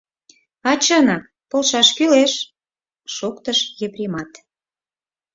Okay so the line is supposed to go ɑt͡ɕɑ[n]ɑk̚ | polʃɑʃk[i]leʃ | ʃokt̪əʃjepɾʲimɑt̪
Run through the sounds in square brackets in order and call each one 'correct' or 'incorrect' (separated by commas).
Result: correct, incorrect